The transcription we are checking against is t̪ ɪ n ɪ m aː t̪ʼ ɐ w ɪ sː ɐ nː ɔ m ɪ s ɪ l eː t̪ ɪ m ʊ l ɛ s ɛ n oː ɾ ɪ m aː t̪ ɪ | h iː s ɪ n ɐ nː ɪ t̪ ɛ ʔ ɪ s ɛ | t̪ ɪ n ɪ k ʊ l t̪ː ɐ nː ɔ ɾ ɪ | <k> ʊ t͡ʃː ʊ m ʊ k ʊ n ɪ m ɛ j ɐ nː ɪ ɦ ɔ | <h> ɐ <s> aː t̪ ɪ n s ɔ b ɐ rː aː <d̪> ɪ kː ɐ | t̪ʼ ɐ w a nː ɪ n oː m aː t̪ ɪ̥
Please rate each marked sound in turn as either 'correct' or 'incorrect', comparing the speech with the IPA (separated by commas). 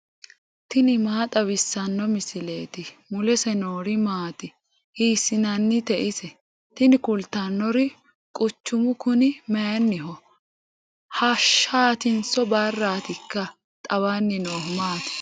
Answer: incorrect, correct, incorrect, incorrect